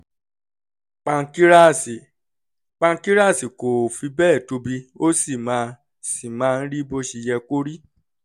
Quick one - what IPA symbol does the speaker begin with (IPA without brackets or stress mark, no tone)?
k͡p